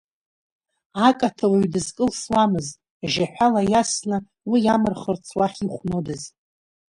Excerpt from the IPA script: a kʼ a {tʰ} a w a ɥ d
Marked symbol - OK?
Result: yes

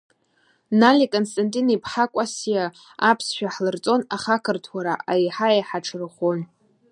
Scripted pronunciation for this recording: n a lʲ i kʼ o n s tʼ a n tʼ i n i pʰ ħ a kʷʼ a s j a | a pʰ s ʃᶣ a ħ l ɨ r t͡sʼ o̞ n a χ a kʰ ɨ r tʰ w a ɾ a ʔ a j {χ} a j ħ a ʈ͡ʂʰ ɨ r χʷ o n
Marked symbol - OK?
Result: no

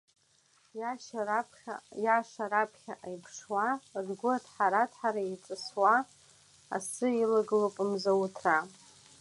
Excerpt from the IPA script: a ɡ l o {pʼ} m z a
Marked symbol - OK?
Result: yes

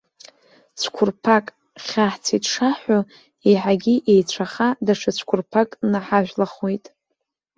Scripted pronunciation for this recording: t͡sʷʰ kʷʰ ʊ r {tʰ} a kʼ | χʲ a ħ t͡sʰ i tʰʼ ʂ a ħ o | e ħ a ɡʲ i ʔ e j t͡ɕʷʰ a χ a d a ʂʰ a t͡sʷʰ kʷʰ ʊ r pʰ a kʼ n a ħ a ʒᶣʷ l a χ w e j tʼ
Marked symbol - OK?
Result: no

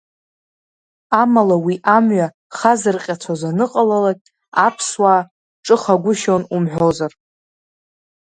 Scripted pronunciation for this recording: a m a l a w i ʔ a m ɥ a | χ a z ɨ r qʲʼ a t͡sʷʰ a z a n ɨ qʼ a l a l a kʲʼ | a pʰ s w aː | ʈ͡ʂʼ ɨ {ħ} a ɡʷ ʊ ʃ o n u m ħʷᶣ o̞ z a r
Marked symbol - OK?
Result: no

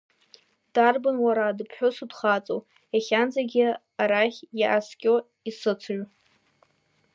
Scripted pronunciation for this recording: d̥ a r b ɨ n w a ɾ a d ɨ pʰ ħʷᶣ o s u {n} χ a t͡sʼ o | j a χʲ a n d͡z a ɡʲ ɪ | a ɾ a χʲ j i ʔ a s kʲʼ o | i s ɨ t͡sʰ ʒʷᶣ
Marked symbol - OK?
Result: no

